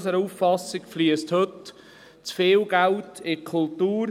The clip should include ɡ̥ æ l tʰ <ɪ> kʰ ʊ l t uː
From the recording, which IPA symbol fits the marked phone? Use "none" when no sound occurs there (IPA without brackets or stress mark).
ɪ